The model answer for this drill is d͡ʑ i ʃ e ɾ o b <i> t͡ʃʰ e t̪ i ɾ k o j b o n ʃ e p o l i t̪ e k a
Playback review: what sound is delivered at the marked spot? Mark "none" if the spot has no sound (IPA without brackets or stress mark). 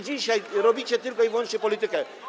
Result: i